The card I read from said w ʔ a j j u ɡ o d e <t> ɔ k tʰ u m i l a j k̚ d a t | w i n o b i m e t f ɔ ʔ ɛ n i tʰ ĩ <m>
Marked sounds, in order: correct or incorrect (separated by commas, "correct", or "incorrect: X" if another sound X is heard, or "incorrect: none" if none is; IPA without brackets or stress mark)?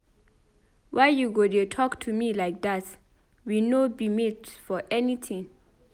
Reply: incorrect: tʰ, incorrect: ŋ